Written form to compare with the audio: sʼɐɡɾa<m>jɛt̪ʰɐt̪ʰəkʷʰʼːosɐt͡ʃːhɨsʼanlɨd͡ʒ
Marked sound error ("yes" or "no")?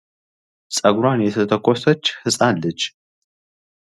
yes